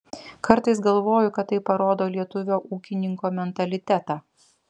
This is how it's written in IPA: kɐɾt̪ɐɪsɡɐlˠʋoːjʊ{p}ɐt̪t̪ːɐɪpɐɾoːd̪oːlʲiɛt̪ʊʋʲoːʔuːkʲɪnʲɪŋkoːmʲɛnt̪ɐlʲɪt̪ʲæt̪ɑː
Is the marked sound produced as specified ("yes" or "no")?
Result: no